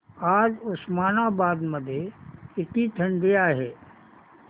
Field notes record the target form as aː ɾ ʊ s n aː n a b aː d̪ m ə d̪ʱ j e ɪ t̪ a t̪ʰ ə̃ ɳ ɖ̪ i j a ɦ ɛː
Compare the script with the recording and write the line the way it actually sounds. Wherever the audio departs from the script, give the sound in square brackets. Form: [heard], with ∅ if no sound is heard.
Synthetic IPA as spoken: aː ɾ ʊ s [m] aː n a b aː d̪ m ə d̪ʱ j e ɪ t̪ [i] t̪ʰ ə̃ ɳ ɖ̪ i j a ɦ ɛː